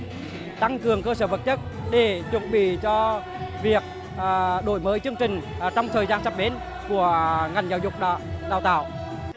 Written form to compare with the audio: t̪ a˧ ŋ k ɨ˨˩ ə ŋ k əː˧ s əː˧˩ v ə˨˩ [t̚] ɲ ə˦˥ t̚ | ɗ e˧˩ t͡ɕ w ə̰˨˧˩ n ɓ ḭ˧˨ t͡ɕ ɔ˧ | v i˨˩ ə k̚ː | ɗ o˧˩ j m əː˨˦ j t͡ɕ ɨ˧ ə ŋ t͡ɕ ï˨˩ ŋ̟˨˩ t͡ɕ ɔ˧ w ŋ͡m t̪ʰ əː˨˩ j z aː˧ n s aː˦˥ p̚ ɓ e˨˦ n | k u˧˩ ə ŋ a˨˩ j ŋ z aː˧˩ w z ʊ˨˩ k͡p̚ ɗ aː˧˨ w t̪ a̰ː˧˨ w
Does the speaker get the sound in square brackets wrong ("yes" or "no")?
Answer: no